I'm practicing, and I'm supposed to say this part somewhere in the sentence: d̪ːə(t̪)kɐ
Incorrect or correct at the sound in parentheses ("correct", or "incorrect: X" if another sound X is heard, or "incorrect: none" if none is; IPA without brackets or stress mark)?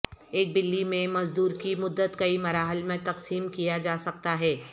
correct